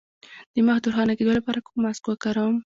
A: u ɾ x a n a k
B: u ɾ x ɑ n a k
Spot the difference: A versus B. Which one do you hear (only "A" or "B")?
B